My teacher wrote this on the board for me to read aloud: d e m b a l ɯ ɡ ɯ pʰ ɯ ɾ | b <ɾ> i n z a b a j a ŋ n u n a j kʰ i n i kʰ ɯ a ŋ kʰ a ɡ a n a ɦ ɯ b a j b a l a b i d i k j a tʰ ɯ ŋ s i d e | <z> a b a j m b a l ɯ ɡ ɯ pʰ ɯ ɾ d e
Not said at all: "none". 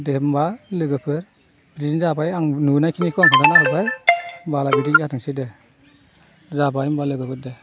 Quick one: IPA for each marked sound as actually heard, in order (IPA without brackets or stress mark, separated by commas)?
ɾ, z